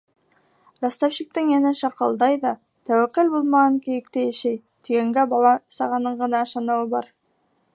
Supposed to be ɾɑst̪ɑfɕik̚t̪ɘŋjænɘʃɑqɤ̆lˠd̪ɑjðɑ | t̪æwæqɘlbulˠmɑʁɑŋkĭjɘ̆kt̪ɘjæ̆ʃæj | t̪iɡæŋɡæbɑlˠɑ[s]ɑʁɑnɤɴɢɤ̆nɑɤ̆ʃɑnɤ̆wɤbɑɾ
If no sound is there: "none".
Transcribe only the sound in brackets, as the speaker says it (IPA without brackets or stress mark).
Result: s